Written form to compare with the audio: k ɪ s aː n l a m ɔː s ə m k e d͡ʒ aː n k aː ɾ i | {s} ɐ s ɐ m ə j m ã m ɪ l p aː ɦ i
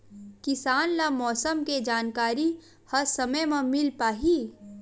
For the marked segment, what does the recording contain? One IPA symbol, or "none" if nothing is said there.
h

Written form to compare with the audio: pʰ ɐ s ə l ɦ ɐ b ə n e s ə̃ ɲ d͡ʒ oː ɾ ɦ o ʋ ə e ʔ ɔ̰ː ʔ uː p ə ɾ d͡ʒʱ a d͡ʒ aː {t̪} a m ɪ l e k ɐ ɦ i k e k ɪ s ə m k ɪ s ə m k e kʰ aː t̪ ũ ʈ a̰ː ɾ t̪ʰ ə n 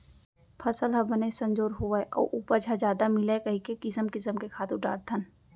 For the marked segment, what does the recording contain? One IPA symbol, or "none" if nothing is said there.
d̪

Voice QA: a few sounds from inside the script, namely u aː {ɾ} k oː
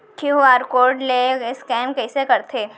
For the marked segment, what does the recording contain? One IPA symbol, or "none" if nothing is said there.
ɾ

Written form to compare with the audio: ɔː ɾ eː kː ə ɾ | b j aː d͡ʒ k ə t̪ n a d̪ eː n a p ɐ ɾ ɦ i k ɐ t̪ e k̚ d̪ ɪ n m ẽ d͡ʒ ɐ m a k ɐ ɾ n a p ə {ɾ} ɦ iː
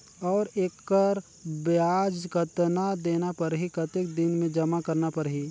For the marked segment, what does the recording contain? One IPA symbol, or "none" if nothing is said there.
ɾ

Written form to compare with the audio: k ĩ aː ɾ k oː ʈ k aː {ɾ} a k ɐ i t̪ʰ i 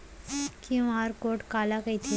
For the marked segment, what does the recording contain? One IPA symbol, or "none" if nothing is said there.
l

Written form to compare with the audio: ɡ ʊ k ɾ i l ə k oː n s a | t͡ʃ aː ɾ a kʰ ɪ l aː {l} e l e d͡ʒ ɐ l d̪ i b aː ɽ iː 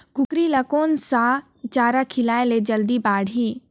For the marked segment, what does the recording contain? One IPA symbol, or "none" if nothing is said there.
none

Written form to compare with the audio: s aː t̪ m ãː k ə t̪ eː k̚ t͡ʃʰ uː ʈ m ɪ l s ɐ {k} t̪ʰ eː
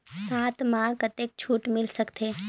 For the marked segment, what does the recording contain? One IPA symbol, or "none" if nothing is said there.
k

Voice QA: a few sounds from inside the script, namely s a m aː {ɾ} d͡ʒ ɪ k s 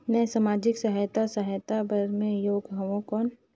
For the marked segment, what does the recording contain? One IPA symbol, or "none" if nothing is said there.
none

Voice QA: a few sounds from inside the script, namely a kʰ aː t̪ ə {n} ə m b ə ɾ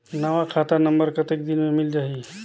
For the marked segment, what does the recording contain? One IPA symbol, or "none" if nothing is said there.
n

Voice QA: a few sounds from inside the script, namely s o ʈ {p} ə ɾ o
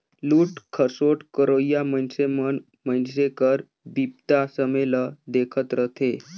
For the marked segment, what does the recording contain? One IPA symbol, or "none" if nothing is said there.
k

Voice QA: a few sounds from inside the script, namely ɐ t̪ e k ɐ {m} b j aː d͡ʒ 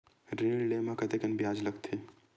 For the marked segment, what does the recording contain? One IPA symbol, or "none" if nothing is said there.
n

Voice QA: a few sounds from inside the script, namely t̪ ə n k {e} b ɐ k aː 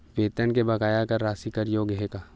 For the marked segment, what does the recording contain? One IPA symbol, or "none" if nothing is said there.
e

